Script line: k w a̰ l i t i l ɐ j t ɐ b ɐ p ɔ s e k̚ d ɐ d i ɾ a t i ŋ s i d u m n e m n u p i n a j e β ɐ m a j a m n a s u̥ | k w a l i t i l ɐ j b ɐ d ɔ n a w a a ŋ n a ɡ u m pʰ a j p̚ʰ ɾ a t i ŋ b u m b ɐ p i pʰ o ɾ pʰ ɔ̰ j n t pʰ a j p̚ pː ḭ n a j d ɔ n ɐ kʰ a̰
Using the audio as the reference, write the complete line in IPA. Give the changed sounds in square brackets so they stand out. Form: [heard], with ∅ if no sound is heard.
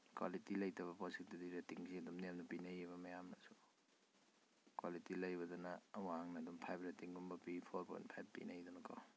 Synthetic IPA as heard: k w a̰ l i t i l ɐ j t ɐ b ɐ p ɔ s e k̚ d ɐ d i ɾ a t i ŋ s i d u m n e m n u p i n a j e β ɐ m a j a m n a s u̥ | k w a l i t i l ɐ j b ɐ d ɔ n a w a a ŋ n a [d] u m pʰ a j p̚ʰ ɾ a t i ŋ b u m b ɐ p i pʰ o ɾ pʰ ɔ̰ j n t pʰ a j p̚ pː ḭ n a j d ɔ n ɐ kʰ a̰